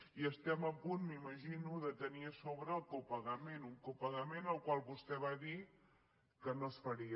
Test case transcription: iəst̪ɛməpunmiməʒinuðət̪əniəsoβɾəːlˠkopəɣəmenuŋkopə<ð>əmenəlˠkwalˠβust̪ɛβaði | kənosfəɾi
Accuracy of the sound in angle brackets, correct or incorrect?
incorrect